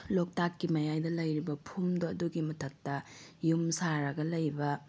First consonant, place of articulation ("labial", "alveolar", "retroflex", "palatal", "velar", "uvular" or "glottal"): alveolar